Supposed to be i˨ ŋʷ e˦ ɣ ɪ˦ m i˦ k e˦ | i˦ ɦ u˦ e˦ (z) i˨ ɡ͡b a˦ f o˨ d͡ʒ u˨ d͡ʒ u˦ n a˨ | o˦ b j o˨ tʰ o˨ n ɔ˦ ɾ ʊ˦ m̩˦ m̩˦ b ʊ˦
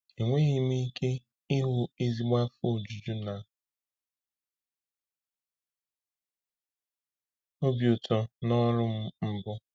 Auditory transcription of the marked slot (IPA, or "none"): z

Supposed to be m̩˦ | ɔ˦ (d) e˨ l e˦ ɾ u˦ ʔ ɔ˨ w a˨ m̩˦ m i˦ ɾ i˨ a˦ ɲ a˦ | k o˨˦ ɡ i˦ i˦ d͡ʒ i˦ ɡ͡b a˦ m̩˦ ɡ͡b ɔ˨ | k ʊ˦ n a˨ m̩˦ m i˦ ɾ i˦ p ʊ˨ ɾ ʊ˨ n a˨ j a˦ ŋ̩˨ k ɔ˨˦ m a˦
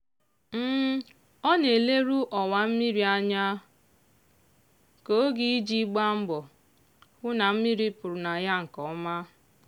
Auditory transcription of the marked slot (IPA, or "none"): n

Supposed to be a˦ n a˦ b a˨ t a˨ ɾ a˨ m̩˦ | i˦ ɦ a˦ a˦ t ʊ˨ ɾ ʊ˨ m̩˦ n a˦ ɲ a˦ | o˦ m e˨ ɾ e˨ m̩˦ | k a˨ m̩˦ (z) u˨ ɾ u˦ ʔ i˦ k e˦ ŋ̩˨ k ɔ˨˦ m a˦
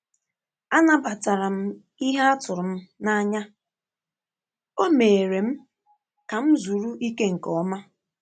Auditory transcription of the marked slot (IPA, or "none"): z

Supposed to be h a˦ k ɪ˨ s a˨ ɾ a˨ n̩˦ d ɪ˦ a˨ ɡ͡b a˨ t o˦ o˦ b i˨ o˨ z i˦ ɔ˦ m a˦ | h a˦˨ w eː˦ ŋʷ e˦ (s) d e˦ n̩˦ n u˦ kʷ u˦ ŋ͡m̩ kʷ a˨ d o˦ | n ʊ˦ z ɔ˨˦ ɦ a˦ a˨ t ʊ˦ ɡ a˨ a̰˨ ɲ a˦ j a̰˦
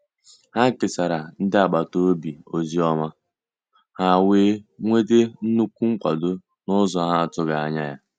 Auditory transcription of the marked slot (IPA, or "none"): none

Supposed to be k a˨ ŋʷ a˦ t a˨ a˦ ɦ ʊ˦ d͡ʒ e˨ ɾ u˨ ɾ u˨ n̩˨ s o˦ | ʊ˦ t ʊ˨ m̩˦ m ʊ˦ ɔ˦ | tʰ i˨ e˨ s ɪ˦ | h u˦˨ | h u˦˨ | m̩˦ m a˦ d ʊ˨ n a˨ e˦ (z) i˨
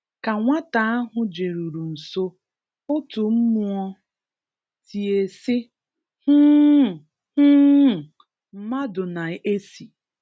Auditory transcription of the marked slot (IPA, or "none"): s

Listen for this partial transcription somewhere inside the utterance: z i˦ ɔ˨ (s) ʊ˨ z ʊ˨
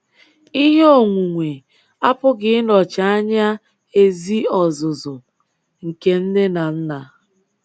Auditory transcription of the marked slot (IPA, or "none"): z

